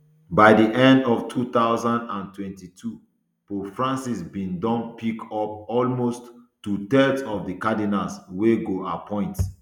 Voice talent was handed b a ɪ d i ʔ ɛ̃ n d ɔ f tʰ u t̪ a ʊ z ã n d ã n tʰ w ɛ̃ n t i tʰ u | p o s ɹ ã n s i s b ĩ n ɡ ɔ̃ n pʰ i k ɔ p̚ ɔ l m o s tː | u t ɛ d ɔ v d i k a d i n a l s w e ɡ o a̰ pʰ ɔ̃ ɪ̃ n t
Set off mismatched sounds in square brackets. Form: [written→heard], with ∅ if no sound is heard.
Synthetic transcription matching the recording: b a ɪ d i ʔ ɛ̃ n d ɔ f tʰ u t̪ a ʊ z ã n d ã n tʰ w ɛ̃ n t i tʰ u | p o [s→f] ɹ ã n s i s b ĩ n [ɡ→d] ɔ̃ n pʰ i k ɔ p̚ ɔ l m o s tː | u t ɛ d ɔ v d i k a d i n a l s w e ɡ o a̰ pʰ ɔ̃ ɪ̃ n t